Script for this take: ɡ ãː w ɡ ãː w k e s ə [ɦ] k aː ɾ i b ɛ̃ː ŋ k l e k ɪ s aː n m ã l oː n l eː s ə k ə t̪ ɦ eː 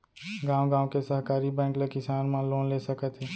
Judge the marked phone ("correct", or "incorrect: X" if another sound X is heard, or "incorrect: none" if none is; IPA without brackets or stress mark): correct